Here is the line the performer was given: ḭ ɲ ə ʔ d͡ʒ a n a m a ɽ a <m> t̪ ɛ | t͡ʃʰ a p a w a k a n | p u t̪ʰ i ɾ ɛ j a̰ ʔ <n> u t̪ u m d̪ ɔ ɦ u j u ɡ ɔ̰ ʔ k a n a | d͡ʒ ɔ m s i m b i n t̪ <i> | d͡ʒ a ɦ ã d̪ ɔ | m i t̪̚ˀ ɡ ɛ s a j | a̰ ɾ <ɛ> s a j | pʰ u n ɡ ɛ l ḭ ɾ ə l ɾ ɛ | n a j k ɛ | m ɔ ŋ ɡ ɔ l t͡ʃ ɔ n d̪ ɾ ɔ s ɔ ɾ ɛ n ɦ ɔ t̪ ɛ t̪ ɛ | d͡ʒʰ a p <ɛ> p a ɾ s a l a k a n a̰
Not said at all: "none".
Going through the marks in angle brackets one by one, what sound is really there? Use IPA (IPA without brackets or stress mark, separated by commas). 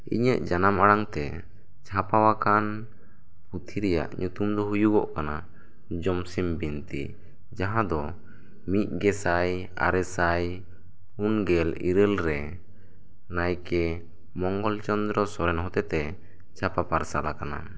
ŋ, ɲ, i, ɛ, a